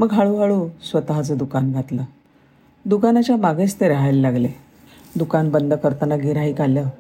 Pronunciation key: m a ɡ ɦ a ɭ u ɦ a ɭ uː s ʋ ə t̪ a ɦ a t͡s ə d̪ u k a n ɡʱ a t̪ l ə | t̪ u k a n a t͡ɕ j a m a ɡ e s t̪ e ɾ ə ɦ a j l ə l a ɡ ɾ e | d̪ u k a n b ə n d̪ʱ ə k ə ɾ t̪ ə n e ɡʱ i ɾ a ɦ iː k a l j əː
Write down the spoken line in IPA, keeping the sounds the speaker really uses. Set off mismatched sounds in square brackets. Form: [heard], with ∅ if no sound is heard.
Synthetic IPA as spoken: m [ə] ɡ ɦ a ɭ u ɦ a ɭ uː s ʋ ə t̪ a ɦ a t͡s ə d̪ u k a n ɡʱ a t̪ l ə | [d̪] u k a n a t͡ɕ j a m a ɡ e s t̪ e ɾ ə ɦ a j l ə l a ɡ [l] e | d̪ u k a n b ə n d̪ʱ ə k ə ɾ t̪ ə n [a] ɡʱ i ɾ a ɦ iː k a l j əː